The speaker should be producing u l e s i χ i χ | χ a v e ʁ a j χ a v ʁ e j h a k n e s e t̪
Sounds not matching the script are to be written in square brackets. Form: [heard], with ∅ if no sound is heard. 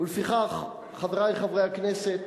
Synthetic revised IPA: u l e [f] i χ [a] χ | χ a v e ʁ a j χ a v ʁ e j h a k n e s e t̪